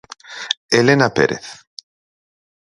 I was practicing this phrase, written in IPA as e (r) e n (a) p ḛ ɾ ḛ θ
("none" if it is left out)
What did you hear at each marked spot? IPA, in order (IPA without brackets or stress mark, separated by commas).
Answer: l, a